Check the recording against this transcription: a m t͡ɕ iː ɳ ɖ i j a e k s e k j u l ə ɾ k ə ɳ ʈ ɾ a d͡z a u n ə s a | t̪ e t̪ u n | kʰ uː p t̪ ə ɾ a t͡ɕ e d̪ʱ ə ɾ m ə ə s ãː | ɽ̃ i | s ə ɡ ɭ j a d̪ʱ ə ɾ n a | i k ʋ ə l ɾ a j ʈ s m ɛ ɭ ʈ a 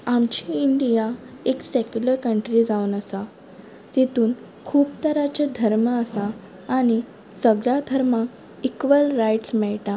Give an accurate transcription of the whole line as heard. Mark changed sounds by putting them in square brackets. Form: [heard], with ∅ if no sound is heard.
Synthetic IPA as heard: a m t͡ɕ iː ɳ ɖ i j a e k s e k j u l ə ɾ k ə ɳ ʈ ɾ [i] d͡z a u n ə s a | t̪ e t̪ [uː] n | kʰ uː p t̪ ə ɾ a t͡ɕ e d̪ʱ ə ɾ m ə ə s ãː | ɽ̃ i | s ə ɡ ɭ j a d̪ʱ ə ɾ [m] a | i k ʋ ə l ɾ a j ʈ s m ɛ ɭ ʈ a